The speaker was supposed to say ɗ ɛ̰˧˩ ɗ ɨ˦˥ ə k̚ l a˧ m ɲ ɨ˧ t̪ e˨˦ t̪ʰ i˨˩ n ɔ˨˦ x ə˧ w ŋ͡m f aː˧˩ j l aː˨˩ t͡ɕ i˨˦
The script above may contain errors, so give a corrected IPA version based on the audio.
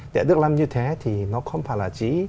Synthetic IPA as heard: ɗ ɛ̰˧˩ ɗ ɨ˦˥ ə k̚ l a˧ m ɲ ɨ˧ t̪ʰ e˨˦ t̪ʰ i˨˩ n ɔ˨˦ x ə˧ w ŋ͡m f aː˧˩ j l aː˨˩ t͡ɕ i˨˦